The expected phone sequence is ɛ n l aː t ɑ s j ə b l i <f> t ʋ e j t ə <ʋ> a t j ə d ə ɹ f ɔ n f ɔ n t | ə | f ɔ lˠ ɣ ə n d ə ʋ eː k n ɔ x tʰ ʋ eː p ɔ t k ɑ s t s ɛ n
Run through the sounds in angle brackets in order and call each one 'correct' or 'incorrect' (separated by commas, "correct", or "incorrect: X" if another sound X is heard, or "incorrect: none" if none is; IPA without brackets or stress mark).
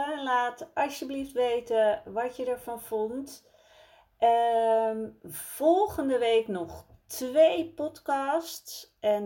correct, correct